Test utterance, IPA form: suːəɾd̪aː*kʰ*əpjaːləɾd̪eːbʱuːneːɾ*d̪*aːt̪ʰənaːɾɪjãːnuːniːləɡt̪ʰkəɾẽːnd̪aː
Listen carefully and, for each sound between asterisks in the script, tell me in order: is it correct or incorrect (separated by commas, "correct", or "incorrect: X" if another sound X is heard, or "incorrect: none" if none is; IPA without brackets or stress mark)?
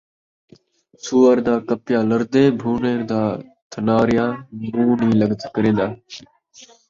incorrect: k, correct